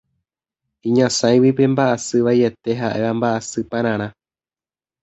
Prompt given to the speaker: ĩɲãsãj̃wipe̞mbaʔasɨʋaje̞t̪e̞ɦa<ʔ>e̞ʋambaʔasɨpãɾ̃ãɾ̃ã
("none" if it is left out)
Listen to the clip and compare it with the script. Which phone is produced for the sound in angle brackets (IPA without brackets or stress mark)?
ʔ